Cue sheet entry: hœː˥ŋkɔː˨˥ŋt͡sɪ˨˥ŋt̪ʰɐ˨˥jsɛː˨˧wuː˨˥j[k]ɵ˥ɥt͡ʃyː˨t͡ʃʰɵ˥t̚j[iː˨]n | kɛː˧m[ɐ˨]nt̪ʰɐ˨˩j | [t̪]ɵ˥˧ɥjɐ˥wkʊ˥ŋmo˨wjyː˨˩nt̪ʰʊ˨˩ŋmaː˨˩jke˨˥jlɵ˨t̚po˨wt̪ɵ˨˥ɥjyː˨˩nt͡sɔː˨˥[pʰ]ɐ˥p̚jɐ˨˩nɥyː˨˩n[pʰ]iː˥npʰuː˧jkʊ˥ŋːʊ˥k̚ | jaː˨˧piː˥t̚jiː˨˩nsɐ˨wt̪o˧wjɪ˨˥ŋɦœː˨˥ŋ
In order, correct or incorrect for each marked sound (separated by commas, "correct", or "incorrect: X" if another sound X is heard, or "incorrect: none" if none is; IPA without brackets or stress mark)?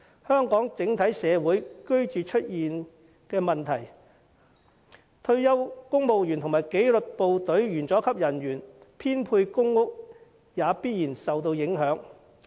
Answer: correct, correct, correct, incorrect: t̪ʰ, incorrect: kʰ, correct